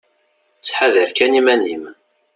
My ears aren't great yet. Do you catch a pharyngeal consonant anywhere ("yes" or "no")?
yes